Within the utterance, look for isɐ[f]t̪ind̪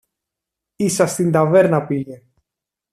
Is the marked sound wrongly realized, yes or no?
yes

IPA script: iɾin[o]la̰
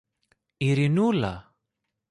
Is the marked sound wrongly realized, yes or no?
yes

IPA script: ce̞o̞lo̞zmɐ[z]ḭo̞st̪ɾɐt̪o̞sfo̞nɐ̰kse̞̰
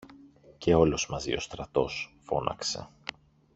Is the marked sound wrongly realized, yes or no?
no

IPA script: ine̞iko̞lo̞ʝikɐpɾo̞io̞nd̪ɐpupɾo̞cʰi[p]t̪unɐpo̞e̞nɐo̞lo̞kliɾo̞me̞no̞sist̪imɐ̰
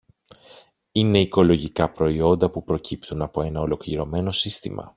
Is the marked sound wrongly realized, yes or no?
no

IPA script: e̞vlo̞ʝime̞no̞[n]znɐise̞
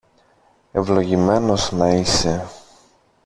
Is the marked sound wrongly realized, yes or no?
yes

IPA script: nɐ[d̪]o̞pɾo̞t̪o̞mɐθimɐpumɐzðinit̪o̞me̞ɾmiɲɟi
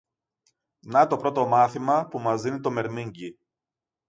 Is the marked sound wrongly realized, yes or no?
yes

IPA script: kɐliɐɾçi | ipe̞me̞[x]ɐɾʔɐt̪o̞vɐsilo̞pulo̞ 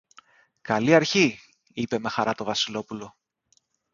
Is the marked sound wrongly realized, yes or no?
no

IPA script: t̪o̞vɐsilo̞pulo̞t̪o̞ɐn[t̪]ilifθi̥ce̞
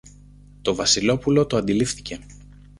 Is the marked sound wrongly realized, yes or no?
yes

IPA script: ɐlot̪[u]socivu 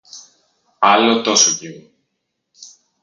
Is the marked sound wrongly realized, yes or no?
yes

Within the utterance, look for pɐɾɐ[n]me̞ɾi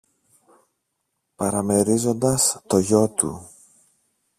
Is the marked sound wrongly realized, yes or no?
yes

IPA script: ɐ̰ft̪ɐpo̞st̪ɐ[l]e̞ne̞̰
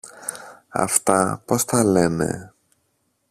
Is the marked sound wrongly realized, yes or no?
no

